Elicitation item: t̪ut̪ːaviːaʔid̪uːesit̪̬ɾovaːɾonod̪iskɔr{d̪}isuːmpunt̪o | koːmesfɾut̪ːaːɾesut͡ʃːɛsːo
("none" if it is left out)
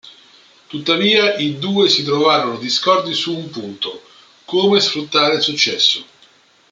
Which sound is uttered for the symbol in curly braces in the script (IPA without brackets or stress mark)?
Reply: d̪